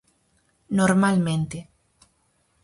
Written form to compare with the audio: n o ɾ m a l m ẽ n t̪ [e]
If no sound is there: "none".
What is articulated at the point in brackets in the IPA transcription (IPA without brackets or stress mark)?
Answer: e